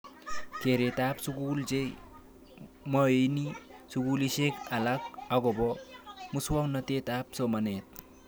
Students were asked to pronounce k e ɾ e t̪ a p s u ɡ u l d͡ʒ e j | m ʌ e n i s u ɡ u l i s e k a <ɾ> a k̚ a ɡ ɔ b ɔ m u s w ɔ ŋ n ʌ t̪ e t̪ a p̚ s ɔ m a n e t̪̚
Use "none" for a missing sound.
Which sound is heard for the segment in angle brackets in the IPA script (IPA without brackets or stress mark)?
l